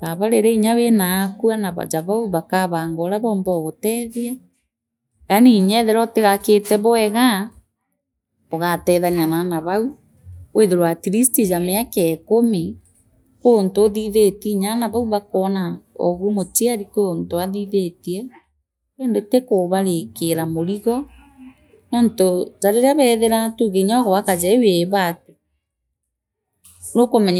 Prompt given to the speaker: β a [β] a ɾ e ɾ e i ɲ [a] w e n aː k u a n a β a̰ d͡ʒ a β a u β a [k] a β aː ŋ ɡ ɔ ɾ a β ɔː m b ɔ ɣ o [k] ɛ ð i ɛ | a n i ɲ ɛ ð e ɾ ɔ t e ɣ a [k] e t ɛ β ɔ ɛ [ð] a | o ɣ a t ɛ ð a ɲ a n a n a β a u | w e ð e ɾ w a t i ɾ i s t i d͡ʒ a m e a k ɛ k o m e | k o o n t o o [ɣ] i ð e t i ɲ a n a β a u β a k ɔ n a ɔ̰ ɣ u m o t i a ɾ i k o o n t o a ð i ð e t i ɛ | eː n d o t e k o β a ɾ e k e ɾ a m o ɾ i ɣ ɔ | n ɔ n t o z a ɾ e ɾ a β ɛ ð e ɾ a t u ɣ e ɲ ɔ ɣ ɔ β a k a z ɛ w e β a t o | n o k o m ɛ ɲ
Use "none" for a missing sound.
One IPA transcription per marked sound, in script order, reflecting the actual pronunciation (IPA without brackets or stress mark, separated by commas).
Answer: β, a, k, t, k, ɣ, ð